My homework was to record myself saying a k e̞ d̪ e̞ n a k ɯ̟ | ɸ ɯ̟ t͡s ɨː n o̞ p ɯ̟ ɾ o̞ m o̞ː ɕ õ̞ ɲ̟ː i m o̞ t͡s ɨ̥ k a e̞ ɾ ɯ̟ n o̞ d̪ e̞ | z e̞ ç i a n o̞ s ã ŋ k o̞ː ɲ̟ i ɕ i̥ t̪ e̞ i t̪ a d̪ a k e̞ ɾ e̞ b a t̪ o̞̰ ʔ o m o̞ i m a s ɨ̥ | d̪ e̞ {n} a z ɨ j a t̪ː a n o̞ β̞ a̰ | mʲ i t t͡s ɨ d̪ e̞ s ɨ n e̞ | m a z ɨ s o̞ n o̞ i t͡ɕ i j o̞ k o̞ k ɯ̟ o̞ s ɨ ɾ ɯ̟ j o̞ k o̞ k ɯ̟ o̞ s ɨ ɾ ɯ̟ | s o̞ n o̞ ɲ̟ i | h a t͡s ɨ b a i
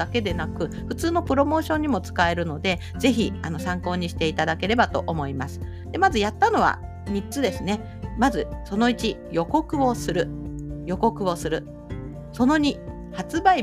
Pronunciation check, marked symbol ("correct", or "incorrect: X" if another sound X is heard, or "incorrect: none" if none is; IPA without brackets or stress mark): incorrect: m